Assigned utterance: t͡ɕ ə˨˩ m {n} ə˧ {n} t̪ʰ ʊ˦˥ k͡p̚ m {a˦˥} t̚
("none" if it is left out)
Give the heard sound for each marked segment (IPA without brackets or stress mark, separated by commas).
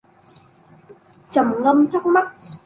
ŋ, m, a˦˥